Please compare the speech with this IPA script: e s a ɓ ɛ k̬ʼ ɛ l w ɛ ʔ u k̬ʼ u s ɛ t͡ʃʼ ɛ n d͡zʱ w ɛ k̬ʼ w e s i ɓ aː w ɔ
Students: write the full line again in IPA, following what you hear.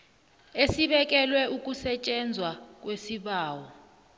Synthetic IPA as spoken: e s i ɓ ɛ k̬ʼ ɛ l w ɛ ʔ u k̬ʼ u s ɛ t͡ʃʼ ɛ n d͡zʱ w a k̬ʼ w e s i ɓ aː w ɔ